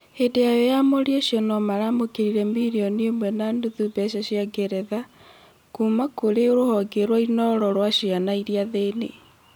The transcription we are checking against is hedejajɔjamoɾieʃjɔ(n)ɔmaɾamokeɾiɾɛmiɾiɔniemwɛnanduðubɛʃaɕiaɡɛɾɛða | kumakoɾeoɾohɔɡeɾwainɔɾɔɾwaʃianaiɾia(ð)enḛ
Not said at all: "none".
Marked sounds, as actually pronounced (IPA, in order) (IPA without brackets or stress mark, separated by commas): n, ð